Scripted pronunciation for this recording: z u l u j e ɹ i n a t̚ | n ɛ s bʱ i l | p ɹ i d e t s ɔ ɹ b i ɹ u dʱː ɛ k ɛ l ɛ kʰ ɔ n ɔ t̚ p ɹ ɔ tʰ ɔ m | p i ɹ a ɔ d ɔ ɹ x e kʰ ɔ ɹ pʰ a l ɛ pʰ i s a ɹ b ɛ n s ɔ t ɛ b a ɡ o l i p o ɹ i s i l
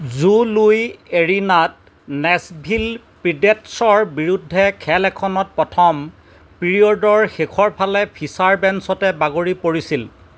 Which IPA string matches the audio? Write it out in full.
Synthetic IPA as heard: z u l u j e ɹ i n a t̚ | n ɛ s bʱ i l | p ɹ i d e t s ɔ ɹ b i ɹ u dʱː ɛ kʰ ɛ l ɛ kʰ ɔ n ɔ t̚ p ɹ ɔ tʰ ɔ m | p i ɹ i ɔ d ɔ ɹ x e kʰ ɔ ɹ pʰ a l ɛ pʰ i s a ɹ b ɛ n s ɔ t ɛ b a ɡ o ɹ i p o ɹ i s i l